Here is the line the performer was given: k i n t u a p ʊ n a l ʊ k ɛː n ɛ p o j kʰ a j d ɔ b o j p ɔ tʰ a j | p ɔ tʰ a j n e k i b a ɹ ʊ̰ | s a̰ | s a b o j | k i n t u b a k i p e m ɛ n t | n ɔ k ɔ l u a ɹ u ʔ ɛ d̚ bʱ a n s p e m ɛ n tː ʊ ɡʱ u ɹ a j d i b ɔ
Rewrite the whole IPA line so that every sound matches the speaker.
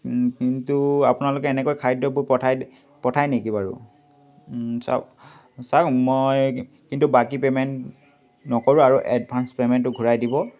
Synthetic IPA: k i n t u a p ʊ n a l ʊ k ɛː n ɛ k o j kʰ a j d ɔ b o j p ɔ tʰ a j | p ɔ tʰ a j n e k i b a ɹ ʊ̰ | s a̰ | s a m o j | k i n t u b a k i p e m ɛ n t | n ɔ k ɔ ɹ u a ɹ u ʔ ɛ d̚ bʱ a n s p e m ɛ n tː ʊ ɡʱ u ɹ a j d i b ɔ